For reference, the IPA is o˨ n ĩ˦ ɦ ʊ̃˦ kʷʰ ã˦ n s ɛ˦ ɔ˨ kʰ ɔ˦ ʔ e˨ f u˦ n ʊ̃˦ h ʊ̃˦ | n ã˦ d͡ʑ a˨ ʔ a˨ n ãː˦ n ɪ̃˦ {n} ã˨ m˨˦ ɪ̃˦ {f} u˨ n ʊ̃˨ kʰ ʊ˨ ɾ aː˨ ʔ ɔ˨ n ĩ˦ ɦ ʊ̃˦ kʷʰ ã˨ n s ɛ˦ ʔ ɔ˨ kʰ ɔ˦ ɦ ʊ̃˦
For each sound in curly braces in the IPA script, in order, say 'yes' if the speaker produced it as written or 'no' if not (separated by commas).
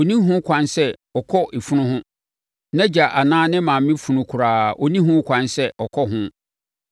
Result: no, yes